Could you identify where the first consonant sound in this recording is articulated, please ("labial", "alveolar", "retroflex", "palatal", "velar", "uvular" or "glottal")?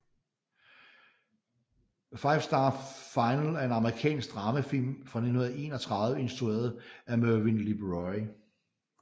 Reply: labial